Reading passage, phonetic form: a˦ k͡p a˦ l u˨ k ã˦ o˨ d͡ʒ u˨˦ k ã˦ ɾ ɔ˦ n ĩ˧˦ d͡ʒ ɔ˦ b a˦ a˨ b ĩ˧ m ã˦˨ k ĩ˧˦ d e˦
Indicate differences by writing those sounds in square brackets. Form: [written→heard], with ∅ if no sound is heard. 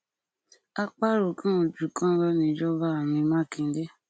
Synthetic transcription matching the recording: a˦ k͡p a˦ [l→ɾ] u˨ k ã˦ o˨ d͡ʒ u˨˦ k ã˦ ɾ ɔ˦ n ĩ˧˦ d͡ʒ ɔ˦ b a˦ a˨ [b→m] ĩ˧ m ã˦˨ k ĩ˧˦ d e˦

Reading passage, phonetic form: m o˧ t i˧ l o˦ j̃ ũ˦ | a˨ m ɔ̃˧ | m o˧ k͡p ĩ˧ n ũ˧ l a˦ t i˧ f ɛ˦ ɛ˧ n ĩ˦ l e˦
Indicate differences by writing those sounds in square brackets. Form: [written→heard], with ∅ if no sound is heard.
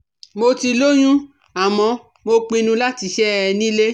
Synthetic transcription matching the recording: m o˧ t i˧ l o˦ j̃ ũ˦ | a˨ m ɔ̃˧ | m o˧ k͡p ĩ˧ n ũ˧ l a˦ t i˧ [f→ʃ] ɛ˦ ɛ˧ n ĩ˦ l e˦

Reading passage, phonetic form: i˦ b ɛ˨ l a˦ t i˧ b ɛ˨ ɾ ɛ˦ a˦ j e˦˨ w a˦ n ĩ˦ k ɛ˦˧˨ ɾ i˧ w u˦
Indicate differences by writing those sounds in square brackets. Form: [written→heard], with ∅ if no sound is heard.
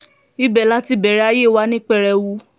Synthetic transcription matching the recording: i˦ b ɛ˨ l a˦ t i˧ b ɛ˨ ɾ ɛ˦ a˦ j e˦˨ w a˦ n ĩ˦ [k→k͡p] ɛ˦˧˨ ɾ [i˧→ɛ˧] w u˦

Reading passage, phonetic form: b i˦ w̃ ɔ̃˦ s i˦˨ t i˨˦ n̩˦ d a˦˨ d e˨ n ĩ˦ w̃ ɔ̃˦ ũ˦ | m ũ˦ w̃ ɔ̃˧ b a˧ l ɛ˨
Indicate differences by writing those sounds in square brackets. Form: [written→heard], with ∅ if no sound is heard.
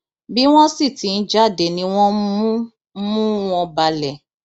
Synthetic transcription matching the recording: b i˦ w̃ ɔ̃˦ s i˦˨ t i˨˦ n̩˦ [d→d͡ʒ] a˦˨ d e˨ n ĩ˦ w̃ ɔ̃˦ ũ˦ | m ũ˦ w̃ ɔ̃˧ b a˧ l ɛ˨

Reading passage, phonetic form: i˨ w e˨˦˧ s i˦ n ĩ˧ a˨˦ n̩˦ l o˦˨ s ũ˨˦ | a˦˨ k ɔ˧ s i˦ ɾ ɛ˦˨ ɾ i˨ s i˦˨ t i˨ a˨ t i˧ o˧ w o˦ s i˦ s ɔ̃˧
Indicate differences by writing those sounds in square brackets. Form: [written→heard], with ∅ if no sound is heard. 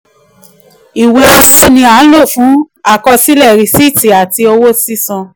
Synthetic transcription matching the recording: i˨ w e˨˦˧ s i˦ n ĩ˧ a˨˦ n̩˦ l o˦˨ [s→f] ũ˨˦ | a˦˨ k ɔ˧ s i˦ [ɾ→l] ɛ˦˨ ɾ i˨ s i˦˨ t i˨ a˨ t i˧ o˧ w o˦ s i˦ s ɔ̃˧

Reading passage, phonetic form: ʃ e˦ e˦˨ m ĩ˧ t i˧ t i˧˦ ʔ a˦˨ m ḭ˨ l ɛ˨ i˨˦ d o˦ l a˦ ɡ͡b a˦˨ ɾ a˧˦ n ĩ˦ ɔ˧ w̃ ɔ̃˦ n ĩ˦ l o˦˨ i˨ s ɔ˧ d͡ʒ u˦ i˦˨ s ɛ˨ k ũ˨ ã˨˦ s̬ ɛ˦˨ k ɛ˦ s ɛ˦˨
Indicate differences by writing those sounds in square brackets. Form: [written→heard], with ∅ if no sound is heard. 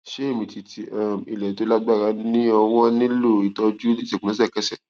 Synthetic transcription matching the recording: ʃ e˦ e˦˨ m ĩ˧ t i˧ t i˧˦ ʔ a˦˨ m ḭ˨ l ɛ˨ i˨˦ [d→t] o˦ l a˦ ɡ͡b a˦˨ ɾ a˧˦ n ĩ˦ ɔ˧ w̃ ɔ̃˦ n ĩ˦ l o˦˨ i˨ [s→t] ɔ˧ d͡ʒ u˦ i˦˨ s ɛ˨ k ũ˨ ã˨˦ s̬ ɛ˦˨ k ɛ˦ s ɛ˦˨

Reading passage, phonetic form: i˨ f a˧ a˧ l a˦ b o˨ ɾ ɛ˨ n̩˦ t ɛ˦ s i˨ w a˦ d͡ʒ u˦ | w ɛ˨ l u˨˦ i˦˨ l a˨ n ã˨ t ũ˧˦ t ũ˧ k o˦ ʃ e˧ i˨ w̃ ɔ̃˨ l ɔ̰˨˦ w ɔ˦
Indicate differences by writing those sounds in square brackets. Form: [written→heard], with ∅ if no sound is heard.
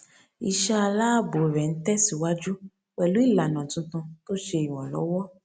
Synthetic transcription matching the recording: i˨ [f→ʃ] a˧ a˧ l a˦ b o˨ ɾ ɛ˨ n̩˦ t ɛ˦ s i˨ w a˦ d͡ʒ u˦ | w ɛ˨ l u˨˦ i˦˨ l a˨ n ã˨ t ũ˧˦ t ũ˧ [k→t] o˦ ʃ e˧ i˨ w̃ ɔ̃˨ l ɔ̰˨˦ w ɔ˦

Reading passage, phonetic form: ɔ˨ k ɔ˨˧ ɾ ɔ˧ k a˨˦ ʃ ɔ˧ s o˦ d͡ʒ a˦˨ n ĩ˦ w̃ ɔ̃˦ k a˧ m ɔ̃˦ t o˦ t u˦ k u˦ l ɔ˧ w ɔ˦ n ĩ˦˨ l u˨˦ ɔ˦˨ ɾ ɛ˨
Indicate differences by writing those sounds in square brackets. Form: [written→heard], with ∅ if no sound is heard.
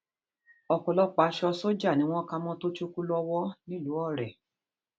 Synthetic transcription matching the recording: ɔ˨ k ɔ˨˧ [ɾ→l] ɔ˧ [k→k͡p] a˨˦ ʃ ɔ˧ s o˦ d͡ʒ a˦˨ n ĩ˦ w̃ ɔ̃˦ k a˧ m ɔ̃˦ t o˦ [t→t͡ʃ] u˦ k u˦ l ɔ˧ w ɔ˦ n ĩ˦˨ l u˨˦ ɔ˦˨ ɾ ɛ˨

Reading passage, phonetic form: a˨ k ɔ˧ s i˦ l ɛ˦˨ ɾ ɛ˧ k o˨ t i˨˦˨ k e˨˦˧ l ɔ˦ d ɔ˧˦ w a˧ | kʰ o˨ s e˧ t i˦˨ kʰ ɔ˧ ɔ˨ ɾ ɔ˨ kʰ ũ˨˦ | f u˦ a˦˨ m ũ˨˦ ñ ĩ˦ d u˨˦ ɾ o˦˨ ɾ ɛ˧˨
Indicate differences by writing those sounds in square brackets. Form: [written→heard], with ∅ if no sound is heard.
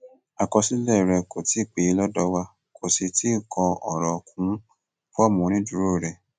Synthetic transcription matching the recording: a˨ k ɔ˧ s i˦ l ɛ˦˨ ɾ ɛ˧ k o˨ t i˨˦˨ [k→k͡p] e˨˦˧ l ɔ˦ d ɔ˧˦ w a˧ | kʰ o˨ s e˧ t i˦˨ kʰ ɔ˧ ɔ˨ ɾ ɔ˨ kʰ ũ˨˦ | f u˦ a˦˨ m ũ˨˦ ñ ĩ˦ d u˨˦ ɾ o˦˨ ɾ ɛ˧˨

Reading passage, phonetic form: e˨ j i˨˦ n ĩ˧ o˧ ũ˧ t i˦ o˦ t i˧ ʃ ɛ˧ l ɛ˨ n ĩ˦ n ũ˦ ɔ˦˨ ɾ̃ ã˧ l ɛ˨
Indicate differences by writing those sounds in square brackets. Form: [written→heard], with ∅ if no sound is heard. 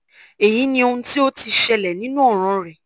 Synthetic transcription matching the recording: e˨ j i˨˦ n ĩ˧ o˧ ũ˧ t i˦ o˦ t i˧ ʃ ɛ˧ l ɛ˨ n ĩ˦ n ũ˦ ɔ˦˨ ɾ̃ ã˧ [l→ɾ] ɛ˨

